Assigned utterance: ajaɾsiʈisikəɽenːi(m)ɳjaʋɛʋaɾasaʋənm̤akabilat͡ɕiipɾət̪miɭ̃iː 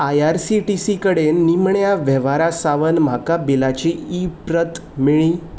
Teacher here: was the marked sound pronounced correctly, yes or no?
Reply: yes